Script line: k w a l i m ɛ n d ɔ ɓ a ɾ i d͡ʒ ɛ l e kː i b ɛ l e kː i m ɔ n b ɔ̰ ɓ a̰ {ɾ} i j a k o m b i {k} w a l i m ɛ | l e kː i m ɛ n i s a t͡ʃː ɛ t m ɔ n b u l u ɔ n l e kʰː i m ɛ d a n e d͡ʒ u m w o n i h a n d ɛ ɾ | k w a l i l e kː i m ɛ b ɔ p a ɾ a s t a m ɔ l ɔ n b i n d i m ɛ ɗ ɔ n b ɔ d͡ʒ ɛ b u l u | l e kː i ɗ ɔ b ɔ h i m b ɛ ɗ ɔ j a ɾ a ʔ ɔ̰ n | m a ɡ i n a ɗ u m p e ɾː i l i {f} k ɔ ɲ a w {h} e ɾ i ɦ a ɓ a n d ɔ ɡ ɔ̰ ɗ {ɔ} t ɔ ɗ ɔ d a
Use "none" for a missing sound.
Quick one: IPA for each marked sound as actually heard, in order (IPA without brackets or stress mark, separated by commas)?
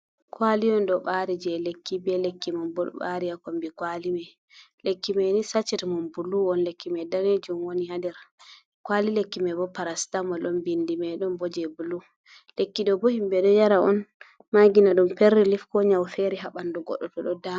ɾ, k, f, f, ɔ